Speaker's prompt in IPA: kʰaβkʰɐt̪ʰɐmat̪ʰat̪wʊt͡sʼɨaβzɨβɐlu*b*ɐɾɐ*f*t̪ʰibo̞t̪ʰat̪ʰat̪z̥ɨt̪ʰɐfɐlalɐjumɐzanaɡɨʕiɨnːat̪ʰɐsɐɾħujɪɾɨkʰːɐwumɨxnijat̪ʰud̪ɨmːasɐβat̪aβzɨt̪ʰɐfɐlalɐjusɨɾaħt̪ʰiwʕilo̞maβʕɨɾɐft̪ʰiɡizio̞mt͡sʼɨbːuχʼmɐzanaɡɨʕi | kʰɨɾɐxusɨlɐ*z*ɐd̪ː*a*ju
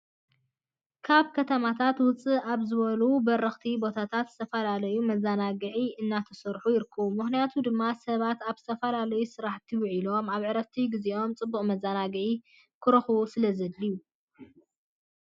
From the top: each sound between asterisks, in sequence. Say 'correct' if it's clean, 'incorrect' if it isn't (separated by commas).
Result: correct, incorrect, correct, incorrect